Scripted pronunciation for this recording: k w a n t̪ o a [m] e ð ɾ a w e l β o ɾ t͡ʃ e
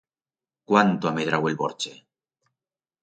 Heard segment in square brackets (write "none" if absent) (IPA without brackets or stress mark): m